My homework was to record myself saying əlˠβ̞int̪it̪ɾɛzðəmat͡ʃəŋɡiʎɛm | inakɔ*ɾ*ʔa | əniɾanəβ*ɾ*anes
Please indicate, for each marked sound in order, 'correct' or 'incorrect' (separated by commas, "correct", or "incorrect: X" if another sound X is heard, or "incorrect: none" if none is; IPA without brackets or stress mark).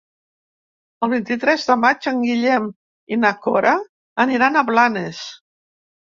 correct, incorrect: l